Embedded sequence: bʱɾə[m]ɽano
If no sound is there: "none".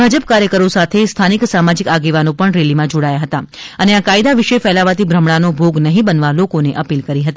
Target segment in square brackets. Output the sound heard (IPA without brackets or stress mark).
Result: m